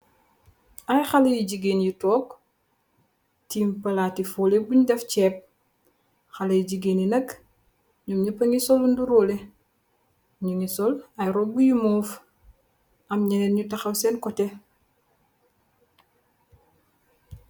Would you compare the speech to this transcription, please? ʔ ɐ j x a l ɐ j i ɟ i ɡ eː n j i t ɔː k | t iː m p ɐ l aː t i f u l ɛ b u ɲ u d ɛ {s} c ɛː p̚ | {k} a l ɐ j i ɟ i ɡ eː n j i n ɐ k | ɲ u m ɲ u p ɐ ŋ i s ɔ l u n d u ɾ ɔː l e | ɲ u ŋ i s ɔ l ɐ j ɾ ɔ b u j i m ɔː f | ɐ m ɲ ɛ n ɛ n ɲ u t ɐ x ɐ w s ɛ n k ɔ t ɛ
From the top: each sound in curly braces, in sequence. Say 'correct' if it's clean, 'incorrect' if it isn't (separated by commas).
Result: incorrect, incorrect